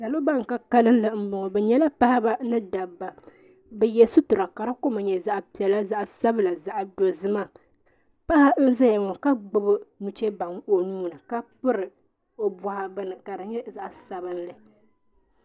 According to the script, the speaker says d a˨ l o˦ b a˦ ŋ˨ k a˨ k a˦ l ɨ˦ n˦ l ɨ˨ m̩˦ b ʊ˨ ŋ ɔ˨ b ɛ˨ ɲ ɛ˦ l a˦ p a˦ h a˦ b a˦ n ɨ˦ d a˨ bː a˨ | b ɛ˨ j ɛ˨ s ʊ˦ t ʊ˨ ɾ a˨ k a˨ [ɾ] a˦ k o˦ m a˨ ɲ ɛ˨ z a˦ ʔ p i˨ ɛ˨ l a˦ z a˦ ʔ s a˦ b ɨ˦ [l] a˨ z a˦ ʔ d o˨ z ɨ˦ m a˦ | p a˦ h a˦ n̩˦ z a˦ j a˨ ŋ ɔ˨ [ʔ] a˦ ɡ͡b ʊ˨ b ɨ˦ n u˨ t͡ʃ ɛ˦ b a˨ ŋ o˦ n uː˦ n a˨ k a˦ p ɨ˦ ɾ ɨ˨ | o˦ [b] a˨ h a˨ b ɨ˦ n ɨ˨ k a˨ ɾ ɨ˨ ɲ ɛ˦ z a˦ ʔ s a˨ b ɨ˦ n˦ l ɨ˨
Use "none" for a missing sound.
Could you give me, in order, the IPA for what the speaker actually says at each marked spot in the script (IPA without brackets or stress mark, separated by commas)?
ɾ, l, k, b